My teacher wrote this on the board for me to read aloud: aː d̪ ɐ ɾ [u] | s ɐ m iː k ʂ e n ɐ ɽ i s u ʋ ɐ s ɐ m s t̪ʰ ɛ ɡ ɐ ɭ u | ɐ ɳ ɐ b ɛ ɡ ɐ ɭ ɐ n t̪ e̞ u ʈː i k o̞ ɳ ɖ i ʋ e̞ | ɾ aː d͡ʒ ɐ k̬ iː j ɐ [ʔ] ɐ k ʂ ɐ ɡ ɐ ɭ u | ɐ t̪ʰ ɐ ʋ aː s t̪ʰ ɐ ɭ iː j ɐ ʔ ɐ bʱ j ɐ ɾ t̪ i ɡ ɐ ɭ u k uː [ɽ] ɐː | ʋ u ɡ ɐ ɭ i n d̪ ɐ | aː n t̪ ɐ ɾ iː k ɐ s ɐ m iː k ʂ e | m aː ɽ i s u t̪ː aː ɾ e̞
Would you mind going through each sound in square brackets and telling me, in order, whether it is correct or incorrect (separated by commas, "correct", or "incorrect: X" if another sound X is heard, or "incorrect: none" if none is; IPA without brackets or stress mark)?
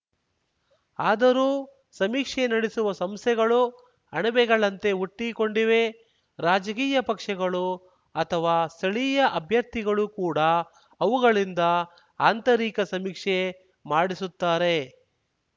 incorrect: uː, incorrect: p, correct